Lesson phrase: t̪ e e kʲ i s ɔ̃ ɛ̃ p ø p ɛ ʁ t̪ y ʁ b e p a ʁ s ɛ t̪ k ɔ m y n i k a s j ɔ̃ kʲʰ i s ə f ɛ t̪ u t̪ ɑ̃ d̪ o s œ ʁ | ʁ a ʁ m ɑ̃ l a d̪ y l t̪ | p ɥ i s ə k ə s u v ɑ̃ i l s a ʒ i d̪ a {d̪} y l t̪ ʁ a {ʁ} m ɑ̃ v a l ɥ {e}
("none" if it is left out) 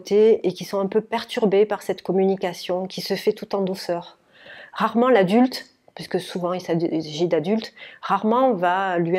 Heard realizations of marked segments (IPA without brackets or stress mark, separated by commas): d̪, ʁ, i